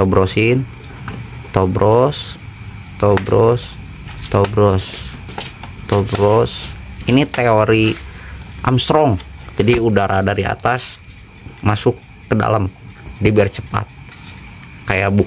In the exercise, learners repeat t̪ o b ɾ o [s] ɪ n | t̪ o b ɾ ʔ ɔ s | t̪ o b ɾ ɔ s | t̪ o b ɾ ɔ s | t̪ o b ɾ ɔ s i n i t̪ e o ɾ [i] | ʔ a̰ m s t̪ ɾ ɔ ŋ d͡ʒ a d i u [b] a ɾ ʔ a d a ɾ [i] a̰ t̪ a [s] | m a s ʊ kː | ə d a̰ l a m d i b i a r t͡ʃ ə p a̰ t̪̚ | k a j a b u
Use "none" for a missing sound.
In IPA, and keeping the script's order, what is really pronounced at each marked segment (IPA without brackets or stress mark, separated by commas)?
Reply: s, i, d, i, s